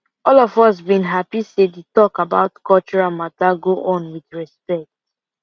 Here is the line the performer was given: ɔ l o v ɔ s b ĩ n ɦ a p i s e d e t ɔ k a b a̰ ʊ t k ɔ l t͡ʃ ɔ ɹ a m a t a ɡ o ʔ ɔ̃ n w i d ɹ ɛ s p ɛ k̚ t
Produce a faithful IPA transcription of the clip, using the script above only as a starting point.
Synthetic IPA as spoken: ɔ l ɔ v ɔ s b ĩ n ɦ a p i s e d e t ɔ k a b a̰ ʊ t k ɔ l t͡ʃ ɔ ɹ a m a t a ɡ o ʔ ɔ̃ n w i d ɹ ɛ s p ɛ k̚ t